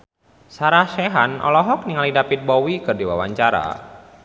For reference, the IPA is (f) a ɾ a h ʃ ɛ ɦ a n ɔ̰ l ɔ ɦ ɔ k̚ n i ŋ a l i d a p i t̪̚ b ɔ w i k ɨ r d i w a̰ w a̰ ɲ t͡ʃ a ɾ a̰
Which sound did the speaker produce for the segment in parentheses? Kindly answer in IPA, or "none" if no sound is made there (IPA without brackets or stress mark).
s